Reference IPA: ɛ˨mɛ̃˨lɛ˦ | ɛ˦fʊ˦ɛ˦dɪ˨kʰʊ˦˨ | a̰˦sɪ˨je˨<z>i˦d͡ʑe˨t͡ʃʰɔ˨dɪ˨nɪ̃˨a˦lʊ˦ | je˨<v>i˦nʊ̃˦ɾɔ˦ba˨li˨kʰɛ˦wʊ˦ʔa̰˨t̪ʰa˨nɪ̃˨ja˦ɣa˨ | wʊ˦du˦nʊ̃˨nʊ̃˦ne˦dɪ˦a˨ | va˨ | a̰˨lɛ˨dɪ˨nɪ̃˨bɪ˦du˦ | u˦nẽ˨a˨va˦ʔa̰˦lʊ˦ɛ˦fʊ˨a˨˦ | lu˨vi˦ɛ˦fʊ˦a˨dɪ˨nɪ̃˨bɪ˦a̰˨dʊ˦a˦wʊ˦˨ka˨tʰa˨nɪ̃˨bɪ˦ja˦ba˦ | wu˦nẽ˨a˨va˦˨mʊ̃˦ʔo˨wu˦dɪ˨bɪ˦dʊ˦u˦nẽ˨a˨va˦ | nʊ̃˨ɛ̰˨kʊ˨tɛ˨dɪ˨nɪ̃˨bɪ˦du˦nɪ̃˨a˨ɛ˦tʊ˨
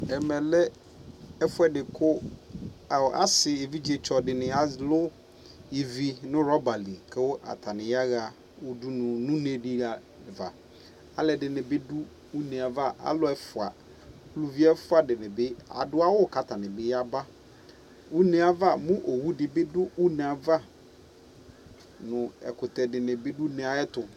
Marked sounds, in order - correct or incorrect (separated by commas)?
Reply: incorrect, correct